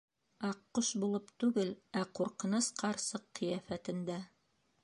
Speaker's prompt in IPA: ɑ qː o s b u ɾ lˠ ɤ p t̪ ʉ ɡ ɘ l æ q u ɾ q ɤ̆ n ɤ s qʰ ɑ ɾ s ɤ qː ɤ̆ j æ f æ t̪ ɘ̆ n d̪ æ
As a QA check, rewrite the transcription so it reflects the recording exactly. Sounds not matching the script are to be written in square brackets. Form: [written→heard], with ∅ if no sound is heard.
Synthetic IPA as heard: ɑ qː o [s→ʃ] b u [ɾ→∅] lˠ ɤ p t̪ ʉ ɡ ɘ l æ q u ɾ q ɤ̆ n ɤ s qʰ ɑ ɾ s ɤ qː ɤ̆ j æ f æ t̪ ɘ̆ n d̪ æ